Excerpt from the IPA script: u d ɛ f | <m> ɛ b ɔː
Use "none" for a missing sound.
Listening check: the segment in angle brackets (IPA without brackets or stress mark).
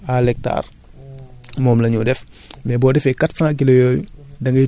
m